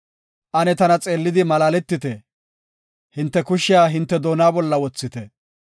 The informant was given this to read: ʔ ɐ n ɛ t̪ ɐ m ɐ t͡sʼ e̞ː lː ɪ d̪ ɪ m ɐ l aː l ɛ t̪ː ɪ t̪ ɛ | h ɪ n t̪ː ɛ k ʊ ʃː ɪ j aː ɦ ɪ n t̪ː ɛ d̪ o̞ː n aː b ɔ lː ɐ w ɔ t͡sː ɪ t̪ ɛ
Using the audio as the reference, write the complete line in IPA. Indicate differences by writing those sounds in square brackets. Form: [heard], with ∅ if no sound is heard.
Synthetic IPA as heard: ʔ ɐ n ɛ t̪ ɐ [n] ɐ t͡sʼ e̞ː lː ɪ d̪ ɪ m ɐ l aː l ɛ t̪ː ɪ t̪ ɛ | h ɪ n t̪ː ɛ k ʊ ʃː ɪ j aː ɦ ɪ n t̪ː ɛ d̪ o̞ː n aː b ɔ lː ɐ w ɔ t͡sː ɪ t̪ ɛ